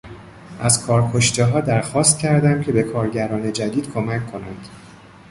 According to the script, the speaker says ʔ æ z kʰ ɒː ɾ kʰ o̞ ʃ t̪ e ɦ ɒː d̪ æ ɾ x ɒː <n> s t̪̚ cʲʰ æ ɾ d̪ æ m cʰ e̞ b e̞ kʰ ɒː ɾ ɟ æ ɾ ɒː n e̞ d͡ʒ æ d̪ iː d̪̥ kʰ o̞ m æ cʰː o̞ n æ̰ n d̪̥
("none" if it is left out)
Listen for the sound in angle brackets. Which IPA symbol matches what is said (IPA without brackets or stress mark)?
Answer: none